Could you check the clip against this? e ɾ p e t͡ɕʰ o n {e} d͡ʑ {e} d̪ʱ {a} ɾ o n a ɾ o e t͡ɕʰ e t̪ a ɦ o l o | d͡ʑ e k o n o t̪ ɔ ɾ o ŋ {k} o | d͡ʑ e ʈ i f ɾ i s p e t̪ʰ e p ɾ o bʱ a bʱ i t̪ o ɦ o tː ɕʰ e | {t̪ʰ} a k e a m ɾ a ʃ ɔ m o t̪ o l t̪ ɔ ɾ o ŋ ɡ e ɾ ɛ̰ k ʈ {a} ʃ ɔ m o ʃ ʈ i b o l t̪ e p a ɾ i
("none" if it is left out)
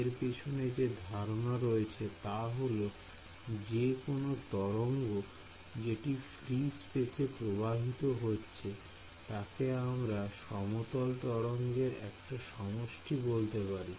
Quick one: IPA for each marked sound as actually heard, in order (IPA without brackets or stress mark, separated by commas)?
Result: e, e, a, ɡ, t̪, a